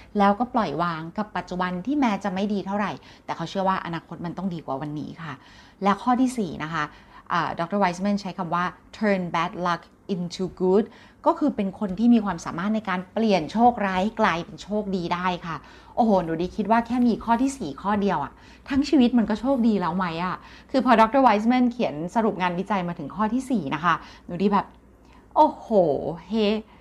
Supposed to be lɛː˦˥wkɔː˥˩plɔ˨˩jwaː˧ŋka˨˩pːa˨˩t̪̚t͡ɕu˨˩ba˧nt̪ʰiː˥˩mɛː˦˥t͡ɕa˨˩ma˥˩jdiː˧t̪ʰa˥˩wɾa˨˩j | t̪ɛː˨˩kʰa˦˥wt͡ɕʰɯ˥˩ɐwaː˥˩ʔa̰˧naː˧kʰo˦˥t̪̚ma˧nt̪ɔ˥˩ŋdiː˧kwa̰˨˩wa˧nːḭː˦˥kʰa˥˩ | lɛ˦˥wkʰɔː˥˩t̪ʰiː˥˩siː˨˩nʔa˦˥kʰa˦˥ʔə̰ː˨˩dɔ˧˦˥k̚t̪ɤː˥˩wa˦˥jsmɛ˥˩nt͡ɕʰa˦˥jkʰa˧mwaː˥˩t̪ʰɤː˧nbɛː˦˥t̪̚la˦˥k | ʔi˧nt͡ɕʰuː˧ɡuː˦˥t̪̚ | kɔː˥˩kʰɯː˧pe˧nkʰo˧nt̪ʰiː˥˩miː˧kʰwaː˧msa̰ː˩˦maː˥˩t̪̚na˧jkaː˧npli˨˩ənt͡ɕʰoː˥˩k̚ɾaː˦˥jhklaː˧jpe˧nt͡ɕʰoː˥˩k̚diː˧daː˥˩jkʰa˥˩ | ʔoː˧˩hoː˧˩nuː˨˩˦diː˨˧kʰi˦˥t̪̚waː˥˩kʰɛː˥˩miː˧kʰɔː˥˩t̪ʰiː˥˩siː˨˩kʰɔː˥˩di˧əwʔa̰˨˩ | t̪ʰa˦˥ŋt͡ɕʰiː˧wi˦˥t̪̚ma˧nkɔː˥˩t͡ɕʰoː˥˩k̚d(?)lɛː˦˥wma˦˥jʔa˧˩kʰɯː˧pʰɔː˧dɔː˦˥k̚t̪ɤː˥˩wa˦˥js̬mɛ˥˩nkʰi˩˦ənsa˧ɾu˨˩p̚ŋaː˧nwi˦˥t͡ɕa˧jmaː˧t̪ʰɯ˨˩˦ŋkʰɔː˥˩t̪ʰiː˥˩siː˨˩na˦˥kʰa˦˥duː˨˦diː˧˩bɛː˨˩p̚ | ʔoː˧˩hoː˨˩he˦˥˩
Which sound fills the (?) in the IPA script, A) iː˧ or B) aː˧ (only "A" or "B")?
A